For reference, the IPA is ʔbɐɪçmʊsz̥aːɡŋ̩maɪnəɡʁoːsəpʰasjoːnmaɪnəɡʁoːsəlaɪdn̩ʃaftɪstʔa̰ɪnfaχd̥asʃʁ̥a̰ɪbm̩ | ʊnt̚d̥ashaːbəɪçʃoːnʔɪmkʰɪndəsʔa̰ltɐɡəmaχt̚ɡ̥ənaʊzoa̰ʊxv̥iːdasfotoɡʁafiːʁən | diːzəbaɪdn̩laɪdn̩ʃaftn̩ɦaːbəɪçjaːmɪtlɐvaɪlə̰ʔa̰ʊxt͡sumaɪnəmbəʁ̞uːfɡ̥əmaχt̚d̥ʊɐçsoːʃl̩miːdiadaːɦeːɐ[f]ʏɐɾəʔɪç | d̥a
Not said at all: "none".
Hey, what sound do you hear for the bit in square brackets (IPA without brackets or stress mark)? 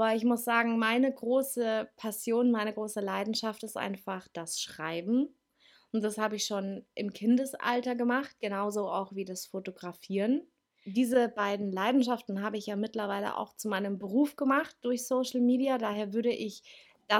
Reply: v